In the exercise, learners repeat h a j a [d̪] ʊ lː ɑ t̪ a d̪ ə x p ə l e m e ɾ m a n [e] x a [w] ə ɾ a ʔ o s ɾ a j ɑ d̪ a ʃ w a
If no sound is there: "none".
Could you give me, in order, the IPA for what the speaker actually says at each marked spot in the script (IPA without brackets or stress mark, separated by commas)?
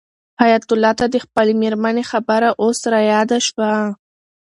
t̪, e, b